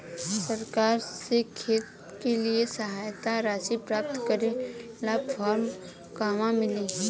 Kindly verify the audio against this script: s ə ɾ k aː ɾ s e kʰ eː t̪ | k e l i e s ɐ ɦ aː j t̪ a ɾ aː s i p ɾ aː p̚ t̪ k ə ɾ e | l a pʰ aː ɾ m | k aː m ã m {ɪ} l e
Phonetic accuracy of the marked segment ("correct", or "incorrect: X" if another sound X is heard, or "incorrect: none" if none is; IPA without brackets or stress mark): correct